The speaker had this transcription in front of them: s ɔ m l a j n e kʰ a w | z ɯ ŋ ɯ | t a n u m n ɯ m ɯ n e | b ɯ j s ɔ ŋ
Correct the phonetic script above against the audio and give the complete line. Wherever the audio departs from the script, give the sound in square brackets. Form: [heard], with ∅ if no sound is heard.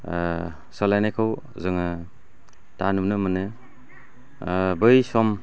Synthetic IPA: s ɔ [∅] l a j n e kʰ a w | z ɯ ŋ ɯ | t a n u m n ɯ m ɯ n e | b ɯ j s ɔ [m]